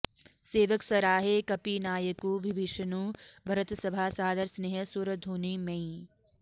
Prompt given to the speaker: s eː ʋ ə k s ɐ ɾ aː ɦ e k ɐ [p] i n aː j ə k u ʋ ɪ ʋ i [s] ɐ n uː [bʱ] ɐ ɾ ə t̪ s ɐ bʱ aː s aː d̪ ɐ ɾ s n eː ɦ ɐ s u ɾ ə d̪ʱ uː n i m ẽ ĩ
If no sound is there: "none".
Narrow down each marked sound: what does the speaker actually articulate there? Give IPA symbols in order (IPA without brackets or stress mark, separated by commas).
p, ʃ, bʱ